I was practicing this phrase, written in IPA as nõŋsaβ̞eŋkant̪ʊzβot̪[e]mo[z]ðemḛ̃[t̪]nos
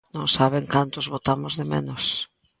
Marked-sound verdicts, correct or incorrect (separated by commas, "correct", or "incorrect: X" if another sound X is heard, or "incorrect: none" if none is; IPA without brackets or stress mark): incorrect: a, correct, incorrect: none